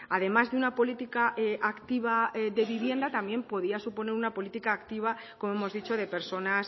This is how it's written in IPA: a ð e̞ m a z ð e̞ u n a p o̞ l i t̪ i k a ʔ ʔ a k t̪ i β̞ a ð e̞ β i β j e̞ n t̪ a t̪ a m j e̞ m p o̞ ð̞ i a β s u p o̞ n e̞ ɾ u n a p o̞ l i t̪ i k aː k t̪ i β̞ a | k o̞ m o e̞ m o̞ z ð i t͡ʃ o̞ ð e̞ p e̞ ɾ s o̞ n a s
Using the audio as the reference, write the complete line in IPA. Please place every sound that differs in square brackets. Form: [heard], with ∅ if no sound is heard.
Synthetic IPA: a ð e̞ m a z ð e̞ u n a p o̞ l i t̪ i k a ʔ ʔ a k t̪ i β̞ a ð e̞ β i β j e̞ n [d̪] a t̪ a m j e̞ m p o̞ ð̞ i a [∅] s u p o̞ n e̞ ɾ u n a p o̞ l i t̪ i k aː k t̪ i β̞ a | k o̞ m o e̞ m o̞ z ð i t͡ʃ o̞ ð e̞ p e̞ ɾ s o̞ n a s